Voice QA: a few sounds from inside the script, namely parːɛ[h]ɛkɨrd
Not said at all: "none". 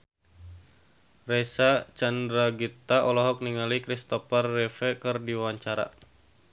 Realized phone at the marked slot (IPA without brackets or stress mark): f